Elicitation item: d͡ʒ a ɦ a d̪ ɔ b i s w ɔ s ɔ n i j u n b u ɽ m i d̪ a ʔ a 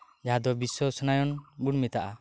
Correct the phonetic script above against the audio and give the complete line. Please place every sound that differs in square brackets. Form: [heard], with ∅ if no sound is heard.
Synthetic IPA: d͡ʒ a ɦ a d̪ ɔ b i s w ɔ s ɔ n [a] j [ɔ] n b u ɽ m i [t̪] a ʔ a